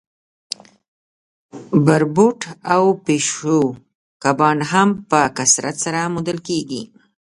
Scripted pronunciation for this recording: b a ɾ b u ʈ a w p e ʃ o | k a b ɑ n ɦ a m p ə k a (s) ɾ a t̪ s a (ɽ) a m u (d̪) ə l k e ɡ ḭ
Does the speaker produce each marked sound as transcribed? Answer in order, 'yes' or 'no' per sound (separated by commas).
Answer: yes, no, yes